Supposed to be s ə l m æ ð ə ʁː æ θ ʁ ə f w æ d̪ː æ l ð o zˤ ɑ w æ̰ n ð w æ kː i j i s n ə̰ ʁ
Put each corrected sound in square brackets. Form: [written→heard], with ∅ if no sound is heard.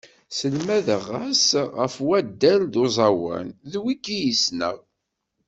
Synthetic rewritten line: s ə l m æ ð ə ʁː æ [θ→s] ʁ ə f w æ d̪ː æ l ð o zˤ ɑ w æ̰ n ð w [æ→i] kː i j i s n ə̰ ʁ